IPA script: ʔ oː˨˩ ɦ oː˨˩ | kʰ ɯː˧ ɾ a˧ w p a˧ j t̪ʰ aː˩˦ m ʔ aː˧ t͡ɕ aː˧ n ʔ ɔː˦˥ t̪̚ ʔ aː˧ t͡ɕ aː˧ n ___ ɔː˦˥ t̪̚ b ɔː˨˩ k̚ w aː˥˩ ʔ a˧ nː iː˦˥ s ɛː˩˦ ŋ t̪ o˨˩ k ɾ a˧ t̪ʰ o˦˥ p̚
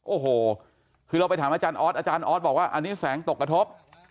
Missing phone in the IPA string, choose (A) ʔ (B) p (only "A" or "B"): A